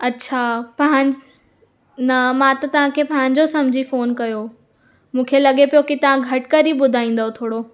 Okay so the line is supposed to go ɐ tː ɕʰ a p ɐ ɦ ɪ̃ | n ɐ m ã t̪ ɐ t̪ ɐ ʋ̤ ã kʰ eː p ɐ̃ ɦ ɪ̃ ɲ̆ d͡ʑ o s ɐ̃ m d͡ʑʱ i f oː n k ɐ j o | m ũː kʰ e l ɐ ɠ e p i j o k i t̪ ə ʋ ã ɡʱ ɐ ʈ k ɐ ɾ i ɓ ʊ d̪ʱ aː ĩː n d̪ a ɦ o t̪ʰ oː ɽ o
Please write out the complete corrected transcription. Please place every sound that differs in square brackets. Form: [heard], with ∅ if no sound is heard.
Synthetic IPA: ɐ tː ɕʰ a p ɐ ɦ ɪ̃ | n ɐ m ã t̪ ɐ t̪ ɐ ʋ̤ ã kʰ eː p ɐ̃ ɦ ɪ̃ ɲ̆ d͡ʑ o s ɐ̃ m d͡ʑʱ i f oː n k ɐ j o | m ũː kʰ e l ɐ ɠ e p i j o k i t̪ [ɐ] ʋ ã ɡʱ ɐ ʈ k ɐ ɾ i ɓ ʊ d̪ʱ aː ĩː n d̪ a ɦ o t̪ʰ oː ɽ o

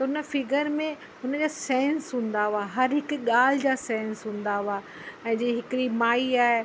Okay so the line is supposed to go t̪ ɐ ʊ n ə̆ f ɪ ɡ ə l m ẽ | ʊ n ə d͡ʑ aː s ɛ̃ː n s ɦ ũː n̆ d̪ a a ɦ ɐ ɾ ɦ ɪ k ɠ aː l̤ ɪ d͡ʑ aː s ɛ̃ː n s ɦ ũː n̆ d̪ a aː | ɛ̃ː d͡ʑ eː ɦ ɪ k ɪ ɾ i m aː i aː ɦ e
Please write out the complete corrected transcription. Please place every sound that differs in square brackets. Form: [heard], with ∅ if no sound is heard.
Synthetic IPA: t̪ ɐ ʊ n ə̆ f ɪ ɡ ə [ɾ] m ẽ | ʊ n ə d͡ʑ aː s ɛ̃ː n s ɦ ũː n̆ d̪ a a ɦ ɐ ɾ ɦ ɪ k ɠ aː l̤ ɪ d͡ʑ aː s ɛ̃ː n s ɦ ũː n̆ d̪ a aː | ɛ̃ː d͡ʑ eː ɦ ɪ k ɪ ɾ i m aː i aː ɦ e

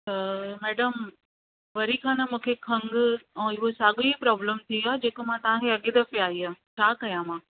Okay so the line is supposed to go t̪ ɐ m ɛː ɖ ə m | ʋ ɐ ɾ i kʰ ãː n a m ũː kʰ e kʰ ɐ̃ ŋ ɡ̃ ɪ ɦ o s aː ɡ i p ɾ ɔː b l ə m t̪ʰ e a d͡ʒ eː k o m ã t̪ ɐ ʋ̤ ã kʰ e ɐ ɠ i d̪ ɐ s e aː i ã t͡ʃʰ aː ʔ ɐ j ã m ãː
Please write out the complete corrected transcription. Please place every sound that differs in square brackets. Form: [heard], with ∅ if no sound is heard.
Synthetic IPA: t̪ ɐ m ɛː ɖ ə m | ʋ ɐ ɾ i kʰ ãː n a m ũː kʰ e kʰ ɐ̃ ŋ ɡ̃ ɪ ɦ o s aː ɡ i p ɾ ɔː b l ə m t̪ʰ [i] a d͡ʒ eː k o m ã t̪ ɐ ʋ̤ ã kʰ e ɐ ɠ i d̪ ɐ [f] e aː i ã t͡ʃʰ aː [k] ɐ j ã m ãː

